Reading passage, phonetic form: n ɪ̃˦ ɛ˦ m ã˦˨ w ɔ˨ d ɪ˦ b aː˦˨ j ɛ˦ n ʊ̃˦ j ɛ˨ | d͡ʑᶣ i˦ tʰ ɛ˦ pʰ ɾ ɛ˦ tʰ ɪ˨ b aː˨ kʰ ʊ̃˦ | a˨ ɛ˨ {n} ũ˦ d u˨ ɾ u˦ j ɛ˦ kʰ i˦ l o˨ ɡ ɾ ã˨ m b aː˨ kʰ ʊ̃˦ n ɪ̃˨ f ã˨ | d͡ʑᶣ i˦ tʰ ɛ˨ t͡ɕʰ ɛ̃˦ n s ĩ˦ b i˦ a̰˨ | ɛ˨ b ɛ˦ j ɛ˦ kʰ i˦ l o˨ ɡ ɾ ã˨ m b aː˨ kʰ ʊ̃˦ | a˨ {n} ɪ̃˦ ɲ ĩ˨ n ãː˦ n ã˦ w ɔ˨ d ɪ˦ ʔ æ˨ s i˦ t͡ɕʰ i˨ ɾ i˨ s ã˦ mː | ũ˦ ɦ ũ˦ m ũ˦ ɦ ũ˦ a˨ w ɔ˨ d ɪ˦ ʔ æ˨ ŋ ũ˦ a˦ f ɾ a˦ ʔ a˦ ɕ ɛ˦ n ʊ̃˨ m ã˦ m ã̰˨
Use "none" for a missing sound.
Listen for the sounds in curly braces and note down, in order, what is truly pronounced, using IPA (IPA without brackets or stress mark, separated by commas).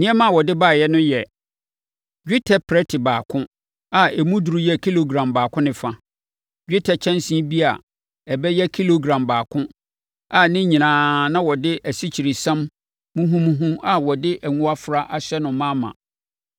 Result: m, n